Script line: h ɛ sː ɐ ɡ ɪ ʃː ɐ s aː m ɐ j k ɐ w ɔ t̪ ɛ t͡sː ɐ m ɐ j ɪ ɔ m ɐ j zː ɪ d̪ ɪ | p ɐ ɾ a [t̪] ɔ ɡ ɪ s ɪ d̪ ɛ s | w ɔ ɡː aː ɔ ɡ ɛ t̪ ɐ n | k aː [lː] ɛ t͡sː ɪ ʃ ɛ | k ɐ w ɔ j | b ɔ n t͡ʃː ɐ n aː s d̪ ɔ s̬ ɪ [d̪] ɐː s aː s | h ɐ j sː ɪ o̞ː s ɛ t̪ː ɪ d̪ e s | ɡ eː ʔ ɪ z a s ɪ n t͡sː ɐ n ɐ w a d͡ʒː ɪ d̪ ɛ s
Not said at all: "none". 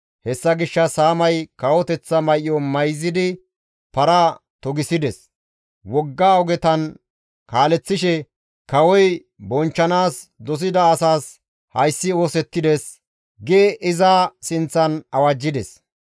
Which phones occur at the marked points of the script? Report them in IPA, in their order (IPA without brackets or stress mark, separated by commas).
t̪, l, d̪